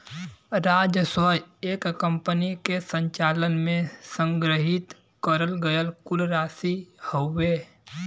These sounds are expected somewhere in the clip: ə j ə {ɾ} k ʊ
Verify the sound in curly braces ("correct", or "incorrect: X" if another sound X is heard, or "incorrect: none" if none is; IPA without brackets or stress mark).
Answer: incorrect: l